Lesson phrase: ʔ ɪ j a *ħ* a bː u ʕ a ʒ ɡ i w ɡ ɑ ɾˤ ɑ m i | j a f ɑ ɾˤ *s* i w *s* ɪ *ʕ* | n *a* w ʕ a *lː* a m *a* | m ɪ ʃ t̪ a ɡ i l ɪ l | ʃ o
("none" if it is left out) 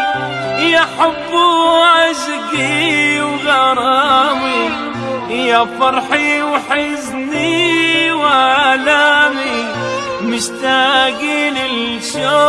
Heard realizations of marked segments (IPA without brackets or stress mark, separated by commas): ħ, ħ, ħ, z, i, l, i